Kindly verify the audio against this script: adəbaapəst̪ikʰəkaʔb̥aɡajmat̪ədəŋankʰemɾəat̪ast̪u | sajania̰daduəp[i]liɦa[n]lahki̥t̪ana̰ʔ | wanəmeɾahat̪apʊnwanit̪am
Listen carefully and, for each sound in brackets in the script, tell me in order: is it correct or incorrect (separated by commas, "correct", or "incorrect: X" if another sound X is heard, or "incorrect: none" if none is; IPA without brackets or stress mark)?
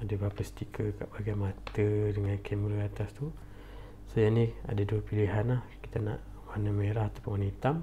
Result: correct, correct